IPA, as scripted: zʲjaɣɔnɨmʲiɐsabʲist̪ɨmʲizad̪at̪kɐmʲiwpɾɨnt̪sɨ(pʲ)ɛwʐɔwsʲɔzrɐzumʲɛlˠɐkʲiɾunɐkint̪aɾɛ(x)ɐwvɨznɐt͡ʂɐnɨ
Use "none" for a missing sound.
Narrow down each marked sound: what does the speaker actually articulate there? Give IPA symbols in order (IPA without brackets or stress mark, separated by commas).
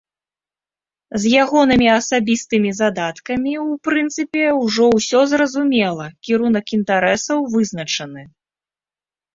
pʲ, s